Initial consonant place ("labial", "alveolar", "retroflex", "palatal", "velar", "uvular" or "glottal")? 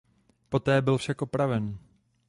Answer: labial